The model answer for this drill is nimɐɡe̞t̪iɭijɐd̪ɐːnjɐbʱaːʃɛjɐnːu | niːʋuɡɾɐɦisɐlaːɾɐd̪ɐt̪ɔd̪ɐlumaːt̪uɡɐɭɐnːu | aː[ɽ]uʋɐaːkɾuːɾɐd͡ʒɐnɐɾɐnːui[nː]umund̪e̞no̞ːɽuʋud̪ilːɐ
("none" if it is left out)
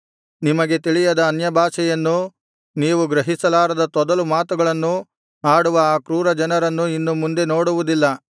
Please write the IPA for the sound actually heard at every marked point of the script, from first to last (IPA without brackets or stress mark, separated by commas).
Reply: ɽ, nː